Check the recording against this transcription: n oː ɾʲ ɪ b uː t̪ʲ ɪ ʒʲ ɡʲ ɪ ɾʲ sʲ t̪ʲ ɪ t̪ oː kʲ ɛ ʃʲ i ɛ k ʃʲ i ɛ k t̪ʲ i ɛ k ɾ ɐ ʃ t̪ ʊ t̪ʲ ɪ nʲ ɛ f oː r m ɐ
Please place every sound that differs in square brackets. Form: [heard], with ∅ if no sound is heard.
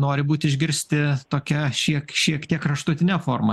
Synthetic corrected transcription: n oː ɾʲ ɪ b uː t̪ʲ ɪ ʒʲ ɡʲ ɪ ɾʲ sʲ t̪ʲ ɪ t̪ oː kʲ ɛ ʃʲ i ɛ k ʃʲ i ɛ k t̪ʲ i ɛ k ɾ ɐ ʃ t̪ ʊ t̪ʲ ɪ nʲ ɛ f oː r m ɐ